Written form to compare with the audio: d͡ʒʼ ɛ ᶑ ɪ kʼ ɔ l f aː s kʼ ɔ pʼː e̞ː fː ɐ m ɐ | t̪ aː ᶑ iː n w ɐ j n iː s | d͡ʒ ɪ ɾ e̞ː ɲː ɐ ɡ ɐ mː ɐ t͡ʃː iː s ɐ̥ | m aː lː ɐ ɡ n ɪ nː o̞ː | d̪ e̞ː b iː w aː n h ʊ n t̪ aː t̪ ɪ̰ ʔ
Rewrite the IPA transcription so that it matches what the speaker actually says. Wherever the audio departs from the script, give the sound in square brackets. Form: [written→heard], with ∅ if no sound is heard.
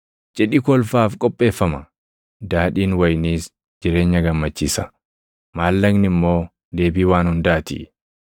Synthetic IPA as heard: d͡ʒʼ ɛ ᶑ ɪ [kʼ→k] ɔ l f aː [s→f] kʼ ɔ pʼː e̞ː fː ɐ m ɐ | [t̪→d̪] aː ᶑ iː n w ɐ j n iː s | d͡ʒ ɪ ɾ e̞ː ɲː ɐ ɡ ɐ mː ɐ t͡ʃː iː s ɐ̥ | m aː lː ɐ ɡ n ɪ [nː→mː] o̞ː | d̪ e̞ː b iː w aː n h ʊ n [t̪→d̪] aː t̪ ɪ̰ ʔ